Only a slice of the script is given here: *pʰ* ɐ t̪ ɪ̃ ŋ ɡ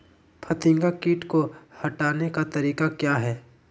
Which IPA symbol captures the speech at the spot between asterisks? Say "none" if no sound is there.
pʰ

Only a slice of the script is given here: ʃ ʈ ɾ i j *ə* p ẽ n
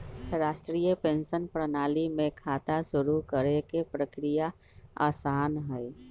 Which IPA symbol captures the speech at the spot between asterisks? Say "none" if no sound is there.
ə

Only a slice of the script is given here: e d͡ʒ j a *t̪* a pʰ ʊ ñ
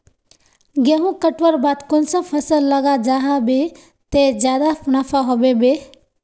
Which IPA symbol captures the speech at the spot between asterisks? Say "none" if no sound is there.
d̪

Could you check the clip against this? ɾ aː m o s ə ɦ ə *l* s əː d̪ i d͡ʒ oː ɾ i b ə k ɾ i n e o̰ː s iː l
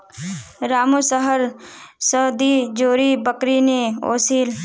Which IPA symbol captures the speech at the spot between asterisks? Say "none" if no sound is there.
ɾ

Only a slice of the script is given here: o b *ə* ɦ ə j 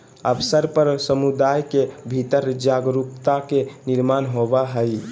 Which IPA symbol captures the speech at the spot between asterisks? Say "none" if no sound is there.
a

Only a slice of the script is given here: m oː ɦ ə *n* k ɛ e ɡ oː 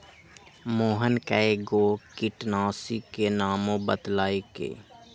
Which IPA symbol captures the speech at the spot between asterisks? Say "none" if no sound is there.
n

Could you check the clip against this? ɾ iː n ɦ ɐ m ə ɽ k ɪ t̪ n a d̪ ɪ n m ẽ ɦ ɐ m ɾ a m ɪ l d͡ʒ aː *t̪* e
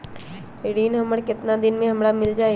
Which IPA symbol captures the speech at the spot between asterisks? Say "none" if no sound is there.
none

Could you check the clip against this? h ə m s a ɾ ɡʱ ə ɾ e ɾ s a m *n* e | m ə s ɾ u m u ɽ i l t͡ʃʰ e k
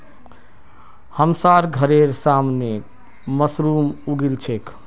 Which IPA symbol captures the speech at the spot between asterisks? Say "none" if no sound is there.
n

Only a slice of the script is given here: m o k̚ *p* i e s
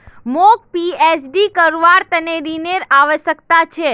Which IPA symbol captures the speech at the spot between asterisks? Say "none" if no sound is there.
p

